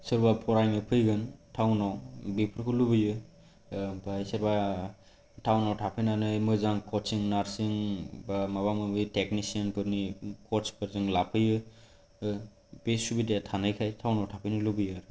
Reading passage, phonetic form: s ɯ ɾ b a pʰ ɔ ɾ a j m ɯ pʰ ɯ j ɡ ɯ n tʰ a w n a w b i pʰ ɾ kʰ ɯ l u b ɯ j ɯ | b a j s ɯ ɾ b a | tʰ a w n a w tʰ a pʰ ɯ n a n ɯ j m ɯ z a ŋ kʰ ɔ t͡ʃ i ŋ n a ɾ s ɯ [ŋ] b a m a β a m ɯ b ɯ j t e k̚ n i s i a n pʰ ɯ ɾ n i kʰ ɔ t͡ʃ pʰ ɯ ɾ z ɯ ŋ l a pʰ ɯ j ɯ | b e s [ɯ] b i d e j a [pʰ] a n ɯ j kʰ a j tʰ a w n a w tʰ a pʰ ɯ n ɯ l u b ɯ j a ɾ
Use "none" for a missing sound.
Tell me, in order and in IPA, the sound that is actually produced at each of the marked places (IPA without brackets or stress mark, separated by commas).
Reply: ŋ, u, tʰ